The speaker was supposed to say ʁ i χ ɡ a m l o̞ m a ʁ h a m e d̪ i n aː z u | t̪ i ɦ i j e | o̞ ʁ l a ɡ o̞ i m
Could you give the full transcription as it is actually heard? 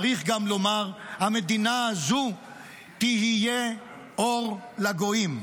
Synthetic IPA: ʁ i χ ɡ a m l o̞ m a ʁ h a m e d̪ i n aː z u | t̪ i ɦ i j e | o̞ ʁ l a ɡ o̞ i m